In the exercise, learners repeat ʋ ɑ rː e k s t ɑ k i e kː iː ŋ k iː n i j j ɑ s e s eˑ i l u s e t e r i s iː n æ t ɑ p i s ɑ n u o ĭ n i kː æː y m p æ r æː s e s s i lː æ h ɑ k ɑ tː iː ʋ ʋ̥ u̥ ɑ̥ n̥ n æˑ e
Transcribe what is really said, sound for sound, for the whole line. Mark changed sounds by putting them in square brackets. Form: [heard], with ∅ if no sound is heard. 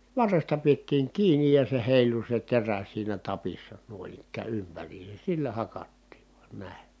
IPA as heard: ʋ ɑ rː e [∅] s t ɑ [p] i e [tː] iː ŋ k iː n i j j ɑ s e [h] eˑ i l u s e t e r [æ] s iː n æ t ɑ p i [sː] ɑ n u o ĭ n i kː æː y m p æ r [iː] s e s s i lː æ h ɑ k ɑ tː iː ʋ ʋ̥ u̥ ɑ̥ n̥ n æˑ e